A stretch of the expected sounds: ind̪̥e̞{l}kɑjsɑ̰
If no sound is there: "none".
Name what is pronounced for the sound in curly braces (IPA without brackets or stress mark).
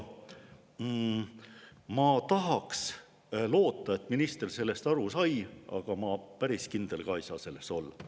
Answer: l